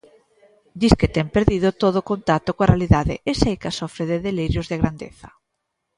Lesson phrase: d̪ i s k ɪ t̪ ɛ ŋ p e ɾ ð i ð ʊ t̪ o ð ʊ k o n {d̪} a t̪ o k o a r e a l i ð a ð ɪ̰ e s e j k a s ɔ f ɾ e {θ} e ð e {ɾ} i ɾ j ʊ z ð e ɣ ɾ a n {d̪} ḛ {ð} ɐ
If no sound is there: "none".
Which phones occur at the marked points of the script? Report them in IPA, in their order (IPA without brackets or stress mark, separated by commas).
t̪, ð, l, d̪, θ